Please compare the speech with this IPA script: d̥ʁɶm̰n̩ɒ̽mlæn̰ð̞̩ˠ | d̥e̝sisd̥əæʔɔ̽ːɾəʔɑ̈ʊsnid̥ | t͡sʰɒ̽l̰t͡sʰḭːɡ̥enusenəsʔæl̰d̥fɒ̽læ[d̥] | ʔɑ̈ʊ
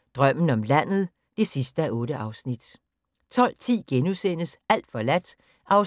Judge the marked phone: correct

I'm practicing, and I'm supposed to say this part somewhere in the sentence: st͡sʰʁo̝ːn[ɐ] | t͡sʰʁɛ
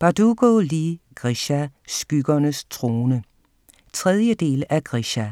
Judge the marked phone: incorrect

